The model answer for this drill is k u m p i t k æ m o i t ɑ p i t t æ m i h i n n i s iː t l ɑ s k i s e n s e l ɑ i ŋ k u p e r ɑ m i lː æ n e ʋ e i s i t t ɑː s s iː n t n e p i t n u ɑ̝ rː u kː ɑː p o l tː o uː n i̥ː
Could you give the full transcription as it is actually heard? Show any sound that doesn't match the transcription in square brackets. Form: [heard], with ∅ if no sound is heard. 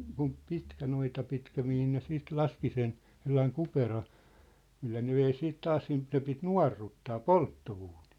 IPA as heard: k u m p i t k æ [n] o i t ɑ p i t [k] æ m i h i n n [e] s iː t l ɑ s k i s e n s e [lː] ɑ i ŋ k u p e r ɑ m i lː æ n e ʋ e i s [iː] t t ɑː s s iː n t n e p i t n u ɑ̝ rː u [tː] ɑː p o l tː o uː n i̥ː